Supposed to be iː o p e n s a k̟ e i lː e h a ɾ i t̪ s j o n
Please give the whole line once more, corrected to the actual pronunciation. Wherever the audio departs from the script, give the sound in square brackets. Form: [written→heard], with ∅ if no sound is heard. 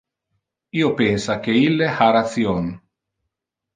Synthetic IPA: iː o p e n s a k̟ e i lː e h a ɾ [i→a] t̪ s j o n